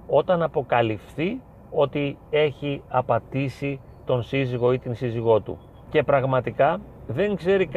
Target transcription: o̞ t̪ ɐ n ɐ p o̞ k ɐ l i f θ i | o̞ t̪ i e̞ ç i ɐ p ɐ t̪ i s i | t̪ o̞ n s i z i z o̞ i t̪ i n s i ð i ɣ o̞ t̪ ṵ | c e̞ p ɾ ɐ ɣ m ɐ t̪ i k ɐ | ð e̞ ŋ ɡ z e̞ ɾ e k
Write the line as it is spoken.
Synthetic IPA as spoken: o̞ t̪ ɐ n ɐ p o̞ k ɐ l i f θ i | o̞ t̪ i e̞ ç i ɐ p ɐ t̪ i s i | t̪ o̞ n s i z i ɣ o̞ i t̪ i n s i z i ɣ o̞ t̪ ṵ | c e̞ p ɾ ɐ ɣ m ɐ t̪ i k ɐ | ð e̞ ŋ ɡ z e̞ ɾ i k